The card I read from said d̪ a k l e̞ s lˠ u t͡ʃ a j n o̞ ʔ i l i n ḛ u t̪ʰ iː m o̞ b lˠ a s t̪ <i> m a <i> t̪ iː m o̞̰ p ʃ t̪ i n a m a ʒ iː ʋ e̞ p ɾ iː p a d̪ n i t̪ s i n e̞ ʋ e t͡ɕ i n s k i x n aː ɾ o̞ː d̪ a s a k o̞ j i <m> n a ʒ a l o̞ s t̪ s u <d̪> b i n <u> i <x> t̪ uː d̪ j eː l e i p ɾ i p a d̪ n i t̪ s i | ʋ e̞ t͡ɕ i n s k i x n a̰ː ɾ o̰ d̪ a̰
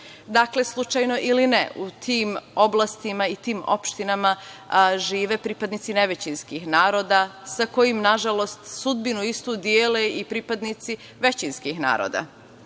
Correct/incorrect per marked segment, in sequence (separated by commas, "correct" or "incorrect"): correct, correct, correct, correct, correct, incorrect